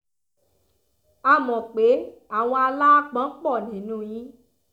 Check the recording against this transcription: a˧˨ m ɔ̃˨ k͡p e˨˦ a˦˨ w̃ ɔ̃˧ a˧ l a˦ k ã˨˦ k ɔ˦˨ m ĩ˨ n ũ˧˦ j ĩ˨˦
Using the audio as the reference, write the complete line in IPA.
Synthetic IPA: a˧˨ m ɔ̃˨ k͡p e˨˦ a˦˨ w̃ ɔ̃˧ a˧ l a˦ k͡p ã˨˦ k͡p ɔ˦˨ n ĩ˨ n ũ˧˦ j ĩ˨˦